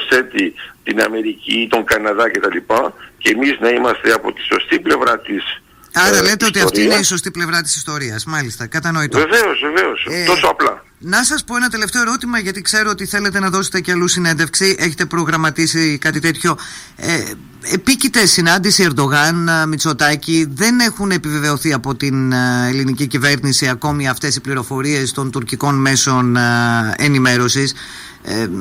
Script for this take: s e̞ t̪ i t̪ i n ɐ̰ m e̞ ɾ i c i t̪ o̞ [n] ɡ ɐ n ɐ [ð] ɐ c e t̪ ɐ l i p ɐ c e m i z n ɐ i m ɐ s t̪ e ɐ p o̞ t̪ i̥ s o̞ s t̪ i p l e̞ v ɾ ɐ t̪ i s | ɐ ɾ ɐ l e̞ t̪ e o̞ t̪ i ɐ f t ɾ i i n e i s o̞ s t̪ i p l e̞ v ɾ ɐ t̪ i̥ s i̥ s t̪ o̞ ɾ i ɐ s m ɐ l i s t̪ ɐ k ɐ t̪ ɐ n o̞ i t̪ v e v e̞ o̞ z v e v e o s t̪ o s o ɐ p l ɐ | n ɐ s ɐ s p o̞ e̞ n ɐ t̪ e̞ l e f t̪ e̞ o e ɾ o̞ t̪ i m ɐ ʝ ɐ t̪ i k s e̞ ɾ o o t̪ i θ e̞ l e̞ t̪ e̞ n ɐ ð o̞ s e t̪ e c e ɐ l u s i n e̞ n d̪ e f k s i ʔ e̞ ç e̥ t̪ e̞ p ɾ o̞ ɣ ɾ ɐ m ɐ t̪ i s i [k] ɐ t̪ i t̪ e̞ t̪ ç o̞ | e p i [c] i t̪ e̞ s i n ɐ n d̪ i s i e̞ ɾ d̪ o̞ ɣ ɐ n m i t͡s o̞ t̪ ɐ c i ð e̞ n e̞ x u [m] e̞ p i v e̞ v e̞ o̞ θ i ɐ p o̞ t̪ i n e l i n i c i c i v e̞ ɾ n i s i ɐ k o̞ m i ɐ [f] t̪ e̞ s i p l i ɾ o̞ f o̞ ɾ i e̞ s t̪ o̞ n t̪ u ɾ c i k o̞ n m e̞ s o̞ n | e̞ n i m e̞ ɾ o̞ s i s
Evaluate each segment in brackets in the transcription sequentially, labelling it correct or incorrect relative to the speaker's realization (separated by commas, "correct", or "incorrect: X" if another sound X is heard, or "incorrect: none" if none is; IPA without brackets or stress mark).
incorrect: ŋ, correct, correct, correct, incorrect: n, correct